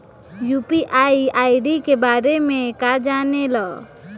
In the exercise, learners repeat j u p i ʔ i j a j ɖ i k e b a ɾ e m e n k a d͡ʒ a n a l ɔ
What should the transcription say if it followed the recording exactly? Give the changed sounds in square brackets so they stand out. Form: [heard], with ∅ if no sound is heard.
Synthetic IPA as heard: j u p i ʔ [a] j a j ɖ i k e b a ɾ e m e [∅] k a d͡ʒ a n [e] l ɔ